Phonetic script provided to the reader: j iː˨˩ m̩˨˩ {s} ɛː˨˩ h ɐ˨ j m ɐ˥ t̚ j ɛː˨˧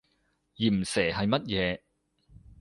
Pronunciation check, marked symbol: correct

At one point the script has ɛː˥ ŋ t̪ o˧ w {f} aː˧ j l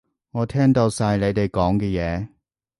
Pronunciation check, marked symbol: incorrect: s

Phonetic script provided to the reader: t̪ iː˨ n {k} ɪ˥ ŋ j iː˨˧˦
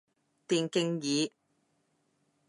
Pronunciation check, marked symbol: correct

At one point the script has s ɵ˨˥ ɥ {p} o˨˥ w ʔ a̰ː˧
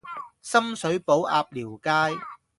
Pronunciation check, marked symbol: correct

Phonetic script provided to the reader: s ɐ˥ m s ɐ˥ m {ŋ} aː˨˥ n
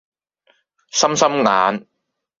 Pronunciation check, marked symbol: correct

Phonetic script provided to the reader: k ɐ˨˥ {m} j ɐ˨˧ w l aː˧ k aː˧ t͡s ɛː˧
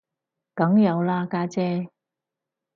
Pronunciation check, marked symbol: incorrect: ŋ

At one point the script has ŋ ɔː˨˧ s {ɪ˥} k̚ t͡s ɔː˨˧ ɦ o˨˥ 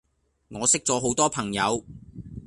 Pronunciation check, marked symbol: correct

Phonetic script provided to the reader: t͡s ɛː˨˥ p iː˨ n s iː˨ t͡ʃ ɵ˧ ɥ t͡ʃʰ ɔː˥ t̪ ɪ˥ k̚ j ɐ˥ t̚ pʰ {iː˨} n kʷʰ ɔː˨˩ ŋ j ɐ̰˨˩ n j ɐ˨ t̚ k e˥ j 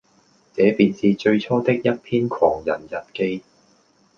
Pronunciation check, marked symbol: incorrect: iː˥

